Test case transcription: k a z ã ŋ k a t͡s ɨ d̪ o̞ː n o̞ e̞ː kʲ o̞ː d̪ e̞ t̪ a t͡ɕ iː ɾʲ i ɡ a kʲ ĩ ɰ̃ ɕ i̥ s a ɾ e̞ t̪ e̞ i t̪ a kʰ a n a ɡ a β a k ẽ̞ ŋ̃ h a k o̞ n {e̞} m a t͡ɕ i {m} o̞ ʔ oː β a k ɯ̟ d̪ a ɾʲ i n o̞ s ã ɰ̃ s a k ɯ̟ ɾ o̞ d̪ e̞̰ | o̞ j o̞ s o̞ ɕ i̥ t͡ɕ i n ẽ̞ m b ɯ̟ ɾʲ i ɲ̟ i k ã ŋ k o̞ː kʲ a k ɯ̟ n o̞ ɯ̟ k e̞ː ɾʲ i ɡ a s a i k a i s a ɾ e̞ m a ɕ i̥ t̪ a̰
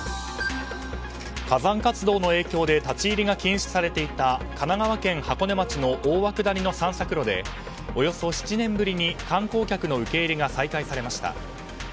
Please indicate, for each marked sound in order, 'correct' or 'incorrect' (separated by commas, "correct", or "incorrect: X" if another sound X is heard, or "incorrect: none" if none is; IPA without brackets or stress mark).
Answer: correct, incorrect: n